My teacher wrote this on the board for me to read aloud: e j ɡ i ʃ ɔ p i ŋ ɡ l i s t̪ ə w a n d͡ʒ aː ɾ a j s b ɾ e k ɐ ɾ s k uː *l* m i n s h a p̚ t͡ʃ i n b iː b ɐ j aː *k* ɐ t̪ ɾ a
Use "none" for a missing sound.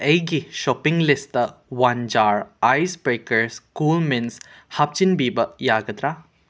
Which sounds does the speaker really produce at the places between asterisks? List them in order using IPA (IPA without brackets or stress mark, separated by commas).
l, ɡ